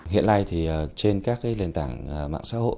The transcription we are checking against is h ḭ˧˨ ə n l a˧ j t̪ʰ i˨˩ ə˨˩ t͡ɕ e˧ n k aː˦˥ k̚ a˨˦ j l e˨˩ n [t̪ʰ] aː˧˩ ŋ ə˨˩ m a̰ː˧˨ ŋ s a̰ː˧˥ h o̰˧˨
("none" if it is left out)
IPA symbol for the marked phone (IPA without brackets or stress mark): t̪